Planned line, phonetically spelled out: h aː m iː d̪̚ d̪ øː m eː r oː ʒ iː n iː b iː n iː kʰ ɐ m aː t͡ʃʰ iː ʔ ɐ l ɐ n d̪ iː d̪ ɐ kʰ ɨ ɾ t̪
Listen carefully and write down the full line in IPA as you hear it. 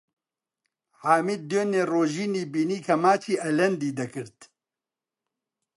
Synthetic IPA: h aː m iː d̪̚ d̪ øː n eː r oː ʒ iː n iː b iː n iː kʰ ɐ m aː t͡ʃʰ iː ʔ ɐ l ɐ n d̪ iː d̪ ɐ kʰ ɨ ɾ t̪

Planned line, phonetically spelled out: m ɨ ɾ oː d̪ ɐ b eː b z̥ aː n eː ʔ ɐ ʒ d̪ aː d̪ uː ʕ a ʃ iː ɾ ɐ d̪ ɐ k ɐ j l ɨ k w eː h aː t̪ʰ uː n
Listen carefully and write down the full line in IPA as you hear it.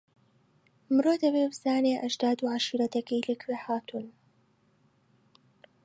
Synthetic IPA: m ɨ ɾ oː d̪ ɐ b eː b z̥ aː n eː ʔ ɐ ʒ d̪ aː d̪ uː ʕ a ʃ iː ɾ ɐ t̪ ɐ k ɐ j l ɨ k w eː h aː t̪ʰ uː n

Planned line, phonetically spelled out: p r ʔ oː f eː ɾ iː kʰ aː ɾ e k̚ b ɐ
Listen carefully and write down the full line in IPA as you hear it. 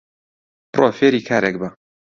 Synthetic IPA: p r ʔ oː f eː ɾ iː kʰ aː ɾ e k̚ b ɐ

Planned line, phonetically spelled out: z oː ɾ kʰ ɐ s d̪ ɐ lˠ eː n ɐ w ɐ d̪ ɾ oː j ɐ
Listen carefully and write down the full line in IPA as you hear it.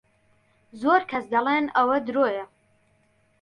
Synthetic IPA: z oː ɾ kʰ ɐ s d̪ ɐ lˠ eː n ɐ w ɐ d̪ ɾ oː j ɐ

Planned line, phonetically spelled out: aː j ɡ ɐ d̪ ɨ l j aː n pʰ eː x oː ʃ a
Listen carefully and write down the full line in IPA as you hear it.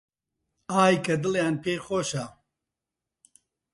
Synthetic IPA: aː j k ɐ d̪ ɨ l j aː n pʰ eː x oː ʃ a

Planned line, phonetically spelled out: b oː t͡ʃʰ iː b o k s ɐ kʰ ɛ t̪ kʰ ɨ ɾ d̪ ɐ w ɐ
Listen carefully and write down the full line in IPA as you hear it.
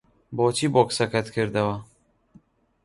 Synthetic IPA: b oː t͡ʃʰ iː b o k s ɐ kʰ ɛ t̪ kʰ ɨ ɾ d̪ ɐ w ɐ

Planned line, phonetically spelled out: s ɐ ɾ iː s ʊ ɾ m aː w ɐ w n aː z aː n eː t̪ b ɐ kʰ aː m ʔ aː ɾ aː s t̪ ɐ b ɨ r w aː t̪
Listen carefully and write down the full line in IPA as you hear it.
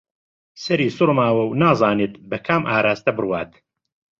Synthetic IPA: s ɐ ɾ iː s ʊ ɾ m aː w ɐ w n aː z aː n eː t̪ b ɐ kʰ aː m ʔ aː ɾ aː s t̪ ɐ b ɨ r w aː t̪

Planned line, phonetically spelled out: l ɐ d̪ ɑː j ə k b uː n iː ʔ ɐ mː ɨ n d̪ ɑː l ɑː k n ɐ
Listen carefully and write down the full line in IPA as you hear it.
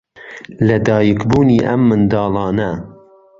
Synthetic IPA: l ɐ d̪ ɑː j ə k b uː n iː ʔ ɐ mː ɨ n d̪ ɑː l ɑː n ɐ

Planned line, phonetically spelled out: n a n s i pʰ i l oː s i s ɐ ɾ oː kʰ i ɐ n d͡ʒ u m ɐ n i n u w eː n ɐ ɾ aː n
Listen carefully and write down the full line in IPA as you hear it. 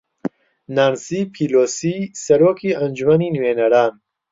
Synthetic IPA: n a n s i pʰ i l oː s i s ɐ ɾ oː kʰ i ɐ n d͡ʒ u m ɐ n i n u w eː n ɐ ɾ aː n

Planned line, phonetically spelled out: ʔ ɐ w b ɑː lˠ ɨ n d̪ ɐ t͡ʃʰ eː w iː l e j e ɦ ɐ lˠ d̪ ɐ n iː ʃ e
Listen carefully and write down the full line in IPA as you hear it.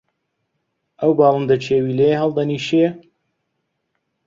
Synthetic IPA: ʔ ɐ w b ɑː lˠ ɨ n d̪ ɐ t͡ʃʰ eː w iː l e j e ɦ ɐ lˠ d̪ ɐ n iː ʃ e

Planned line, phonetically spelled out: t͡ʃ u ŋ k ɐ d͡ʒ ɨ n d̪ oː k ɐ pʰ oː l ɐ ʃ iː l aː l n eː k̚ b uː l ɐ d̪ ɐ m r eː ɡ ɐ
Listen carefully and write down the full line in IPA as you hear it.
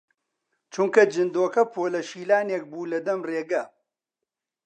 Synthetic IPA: t͡ʃ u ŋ k ɐ d͡ʒ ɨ n d̪ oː k ɐ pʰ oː l ɐ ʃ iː l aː n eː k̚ b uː l ɐ d̪ ɐ m r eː ɡ ɐ

